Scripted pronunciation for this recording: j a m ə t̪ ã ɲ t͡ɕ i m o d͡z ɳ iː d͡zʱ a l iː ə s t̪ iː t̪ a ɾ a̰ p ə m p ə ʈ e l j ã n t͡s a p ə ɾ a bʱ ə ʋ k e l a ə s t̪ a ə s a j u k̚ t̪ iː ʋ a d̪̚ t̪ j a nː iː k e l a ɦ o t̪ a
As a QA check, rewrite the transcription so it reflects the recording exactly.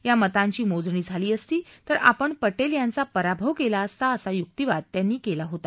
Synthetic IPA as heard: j a m ə t̪ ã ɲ t͡ɕ iː m o d͡z ɳ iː d͡zʱ a l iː ə s t̪ iː t̪ ə ɾ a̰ p ə ɳ p ə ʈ e l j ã n t͡s a p ə ɾ a bʱ ə ʋ k e l a ə s t̪ a ə s a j u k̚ t̪ i ʋ a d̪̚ t̪ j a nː iː k e l a ɦ o t̪ a